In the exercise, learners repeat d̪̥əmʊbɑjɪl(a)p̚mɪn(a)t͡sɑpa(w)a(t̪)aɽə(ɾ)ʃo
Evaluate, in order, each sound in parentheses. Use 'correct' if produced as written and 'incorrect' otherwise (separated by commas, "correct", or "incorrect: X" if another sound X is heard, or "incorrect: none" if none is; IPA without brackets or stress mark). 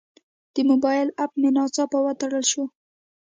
correct, incorrect: ɑ, correct, correct, incorrect: l